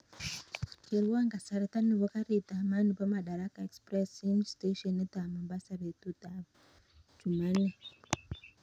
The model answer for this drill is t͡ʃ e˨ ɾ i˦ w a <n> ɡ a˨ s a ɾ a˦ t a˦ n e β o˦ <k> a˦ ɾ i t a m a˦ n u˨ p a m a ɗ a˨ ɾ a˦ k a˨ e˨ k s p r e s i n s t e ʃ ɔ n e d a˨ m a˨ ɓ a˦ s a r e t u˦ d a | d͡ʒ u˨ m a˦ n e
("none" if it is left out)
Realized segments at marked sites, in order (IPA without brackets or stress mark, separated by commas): ŋ, k